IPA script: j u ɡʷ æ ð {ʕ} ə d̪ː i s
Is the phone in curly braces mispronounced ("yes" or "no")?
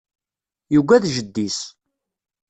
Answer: yes